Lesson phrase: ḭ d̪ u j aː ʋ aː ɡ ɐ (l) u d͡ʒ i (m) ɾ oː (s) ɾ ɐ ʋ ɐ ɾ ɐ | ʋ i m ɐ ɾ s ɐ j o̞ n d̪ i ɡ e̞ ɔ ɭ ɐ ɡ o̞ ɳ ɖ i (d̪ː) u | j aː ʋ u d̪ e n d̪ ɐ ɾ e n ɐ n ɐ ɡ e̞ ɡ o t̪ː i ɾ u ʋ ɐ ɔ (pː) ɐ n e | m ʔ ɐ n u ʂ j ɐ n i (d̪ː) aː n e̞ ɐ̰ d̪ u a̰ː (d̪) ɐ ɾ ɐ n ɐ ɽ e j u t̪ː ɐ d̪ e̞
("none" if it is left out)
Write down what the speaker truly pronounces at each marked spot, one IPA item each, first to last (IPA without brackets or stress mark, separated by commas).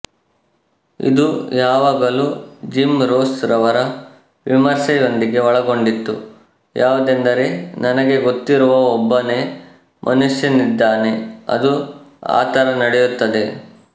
l, m, s, t̪ː, bː, d̪ː, t̪